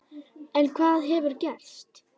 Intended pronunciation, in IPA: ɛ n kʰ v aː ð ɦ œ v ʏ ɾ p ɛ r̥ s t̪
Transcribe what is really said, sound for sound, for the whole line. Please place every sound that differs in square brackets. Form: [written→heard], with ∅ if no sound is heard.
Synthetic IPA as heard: ɛ n kʰ v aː ð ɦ [œ→ɛ] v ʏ ɾ [p→c] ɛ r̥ s t̪